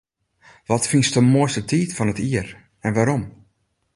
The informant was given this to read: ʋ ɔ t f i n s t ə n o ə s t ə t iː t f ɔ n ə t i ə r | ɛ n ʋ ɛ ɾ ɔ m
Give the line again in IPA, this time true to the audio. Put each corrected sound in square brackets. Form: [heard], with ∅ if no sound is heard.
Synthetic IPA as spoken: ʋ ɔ t f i n s t ə [m] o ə s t ə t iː t f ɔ n ə t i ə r | ɛ n ʋ [a] ɾ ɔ m